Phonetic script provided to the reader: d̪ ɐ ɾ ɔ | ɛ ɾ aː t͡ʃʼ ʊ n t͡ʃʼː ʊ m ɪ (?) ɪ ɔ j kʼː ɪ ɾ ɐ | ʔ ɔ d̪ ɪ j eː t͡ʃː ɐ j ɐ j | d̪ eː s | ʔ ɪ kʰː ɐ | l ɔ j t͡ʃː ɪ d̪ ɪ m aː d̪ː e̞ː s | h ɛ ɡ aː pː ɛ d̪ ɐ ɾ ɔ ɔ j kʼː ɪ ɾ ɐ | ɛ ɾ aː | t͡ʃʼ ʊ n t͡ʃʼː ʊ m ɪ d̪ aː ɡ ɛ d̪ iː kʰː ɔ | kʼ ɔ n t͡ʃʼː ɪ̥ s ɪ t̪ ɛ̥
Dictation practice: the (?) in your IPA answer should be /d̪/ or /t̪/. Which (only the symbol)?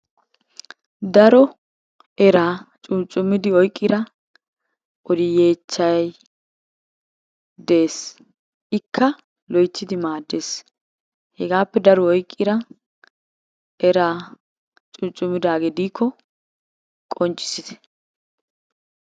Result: d̪